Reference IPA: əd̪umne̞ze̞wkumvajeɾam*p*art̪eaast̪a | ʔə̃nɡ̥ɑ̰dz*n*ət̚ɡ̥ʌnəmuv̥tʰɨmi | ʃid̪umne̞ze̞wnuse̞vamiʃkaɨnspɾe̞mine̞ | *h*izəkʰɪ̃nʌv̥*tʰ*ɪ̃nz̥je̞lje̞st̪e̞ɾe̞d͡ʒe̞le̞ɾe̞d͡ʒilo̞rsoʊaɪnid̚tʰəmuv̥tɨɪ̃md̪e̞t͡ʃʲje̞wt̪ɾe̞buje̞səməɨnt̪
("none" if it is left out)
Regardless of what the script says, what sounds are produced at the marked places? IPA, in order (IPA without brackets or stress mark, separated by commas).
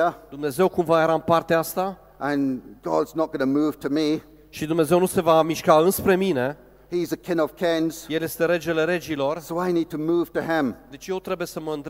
p, n, h, kʰ